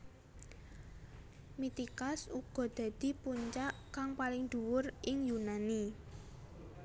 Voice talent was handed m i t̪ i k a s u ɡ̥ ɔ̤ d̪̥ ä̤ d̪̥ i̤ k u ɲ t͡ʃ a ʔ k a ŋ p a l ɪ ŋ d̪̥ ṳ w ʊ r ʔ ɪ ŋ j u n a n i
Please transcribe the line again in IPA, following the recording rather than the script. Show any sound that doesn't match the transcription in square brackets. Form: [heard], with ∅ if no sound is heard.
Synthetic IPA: m i t̪ i k a s u ɡ̥ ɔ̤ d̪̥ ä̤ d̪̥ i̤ [p] u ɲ t͡ʃ a ʔ k a ŋ p a l ɪ ŋ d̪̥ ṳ w ʊ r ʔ ɪ ŋ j u n a n i